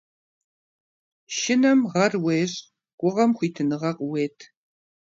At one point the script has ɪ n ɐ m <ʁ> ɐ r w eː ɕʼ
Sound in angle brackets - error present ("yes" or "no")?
no